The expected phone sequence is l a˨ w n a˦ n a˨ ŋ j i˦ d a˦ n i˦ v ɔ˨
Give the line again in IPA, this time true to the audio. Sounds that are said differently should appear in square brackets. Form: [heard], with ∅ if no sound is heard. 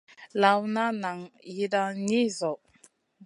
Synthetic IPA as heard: l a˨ w n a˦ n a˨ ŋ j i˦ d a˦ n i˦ [z] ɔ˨